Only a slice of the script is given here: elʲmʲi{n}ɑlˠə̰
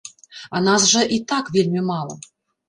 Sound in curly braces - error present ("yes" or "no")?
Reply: yes